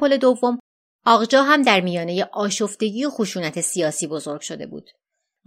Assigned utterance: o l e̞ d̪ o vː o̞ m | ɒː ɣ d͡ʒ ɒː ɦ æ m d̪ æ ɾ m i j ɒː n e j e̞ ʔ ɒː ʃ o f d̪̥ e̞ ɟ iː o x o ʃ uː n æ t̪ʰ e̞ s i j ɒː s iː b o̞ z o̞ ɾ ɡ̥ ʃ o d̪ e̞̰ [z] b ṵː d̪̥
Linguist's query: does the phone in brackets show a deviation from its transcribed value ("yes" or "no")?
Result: yes